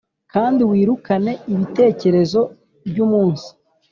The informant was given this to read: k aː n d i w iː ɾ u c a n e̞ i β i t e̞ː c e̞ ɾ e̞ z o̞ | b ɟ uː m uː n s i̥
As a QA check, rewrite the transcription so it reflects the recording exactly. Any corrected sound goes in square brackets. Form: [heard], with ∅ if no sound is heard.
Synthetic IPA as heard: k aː n d i w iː ɾ u [k] a n e̞ i β i t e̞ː c e̞ ɾ e̞ z o̞ | b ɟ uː m uː n s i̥